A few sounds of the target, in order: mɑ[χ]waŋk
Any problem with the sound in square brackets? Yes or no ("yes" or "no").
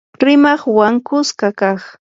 no